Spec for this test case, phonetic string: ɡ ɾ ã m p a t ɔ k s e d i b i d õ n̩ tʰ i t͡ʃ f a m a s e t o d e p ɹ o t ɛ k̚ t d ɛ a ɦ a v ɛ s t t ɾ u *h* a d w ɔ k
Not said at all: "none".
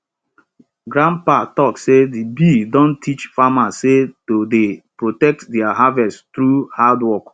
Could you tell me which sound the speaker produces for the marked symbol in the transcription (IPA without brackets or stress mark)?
h